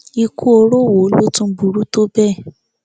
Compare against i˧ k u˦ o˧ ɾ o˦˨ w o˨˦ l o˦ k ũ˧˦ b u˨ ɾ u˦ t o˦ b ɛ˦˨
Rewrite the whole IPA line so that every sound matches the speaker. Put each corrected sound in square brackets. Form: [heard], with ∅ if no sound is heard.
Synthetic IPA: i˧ k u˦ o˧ ɾ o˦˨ w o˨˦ l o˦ [t] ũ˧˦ b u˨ ɾ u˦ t o˦ b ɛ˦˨